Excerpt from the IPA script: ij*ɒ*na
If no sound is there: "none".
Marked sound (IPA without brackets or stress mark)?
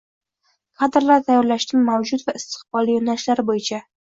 o